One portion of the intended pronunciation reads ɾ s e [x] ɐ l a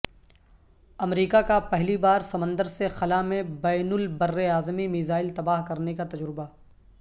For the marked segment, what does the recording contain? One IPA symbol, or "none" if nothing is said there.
x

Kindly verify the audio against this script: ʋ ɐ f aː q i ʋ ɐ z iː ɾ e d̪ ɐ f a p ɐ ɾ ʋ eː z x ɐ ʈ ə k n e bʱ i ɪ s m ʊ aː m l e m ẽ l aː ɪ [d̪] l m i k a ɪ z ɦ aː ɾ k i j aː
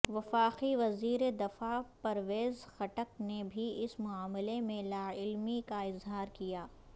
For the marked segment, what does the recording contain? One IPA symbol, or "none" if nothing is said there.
none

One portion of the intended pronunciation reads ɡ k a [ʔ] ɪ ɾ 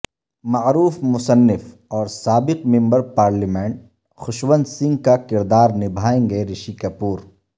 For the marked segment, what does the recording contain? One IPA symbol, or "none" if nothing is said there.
k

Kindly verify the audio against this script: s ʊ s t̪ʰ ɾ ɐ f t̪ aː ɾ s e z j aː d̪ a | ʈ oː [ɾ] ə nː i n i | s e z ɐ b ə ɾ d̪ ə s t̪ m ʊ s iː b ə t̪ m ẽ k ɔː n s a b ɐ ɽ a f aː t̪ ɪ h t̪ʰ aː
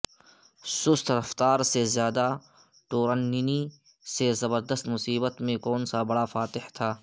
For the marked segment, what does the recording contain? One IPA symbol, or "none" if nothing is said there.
ɾ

